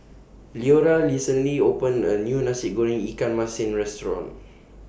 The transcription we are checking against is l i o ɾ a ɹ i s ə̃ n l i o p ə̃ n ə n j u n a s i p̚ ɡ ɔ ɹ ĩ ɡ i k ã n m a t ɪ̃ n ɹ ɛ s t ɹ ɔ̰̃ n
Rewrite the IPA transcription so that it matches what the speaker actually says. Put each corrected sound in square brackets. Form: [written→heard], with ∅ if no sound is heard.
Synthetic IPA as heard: l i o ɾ a [ɹ→l] i s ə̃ n l i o p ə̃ n ə n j u n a s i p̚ ɡ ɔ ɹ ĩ [ɡ→ŋ] i k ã n m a [t→s] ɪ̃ n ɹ ɛ s t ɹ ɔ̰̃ n